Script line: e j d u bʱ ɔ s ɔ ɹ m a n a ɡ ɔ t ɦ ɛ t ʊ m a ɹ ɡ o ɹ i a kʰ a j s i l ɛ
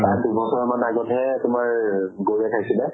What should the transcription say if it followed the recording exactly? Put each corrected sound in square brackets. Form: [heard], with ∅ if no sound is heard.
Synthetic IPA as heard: [a] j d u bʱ ɔ s ɔ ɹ m a n a ɡ ɔ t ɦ ɛ t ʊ m a ɹ ɡ o ɹ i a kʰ a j s i l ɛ